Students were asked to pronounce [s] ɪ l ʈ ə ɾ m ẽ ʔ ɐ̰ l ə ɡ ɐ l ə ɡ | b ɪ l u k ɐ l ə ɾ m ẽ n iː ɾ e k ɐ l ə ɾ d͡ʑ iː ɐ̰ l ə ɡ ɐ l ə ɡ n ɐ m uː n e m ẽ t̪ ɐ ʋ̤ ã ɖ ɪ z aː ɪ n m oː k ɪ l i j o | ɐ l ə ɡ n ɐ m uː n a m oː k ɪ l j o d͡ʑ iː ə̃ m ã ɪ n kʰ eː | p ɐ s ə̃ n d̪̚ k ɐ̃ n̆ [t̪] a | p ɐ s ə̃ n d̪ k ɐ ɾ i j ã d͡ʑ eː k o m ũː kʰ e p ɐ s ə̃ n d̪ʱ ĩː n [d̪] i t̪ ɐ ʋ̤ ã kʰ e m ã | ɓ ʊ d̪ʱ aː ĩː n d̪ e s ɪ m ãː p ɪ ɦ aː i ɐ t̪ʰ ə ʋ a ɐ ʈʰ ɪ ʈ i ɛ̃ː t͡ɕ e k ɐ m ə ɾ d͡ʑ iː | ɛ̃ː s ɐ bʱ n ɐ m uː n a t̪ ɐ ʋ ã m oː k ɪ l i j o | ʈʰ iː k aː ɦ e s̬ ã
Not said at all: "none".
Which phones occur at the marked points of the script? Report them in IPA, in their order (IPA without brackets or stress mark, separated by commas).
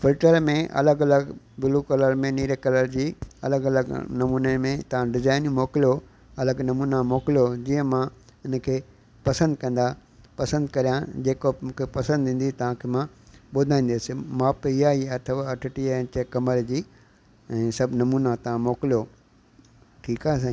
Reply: f, d̪, d̪